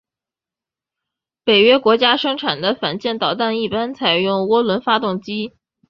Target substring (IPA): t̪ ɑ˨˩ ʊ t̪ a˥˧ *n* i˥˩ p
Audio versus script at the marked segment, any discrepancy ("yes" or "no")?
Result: no